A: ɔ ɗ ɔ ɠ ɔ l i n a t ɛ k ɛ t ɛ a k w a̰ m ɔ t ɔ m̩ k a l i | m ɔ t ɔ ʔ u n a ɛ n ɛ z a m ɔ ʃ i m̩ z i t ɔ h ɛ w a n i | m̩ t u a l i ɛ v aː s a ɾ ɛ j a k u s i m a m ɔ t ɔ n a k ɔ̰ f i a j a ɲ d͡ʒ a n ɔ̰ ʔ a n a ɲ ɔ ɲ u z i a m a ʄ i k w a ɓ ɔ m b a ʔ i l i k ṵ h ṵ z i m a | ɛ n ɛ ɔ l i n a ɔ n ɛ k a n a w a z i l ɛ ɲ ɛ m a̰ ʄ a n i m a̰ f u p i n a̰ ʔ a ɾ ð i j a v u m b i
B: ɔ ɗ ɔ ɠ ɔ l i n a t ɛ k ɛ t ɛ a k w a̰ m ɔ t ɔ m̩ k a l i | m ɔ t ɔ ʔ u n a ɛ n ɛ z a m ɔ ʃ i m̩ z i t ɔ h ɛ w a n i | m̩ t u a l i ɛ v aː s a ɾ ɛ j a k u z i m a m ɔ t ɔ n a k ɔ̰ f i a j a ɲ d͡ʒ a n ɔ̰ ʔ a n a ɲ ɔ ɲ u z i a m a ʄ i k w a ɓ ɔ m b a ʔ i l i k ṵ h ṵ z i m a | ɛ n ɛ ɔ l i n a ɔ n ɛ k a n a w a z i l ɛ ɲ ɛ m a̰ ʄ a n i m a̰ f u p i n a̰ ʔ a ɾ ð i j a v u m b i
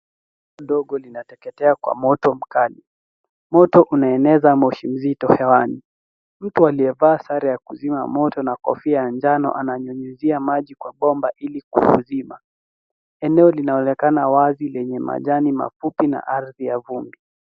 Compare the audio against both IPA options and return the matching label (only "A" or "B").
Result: B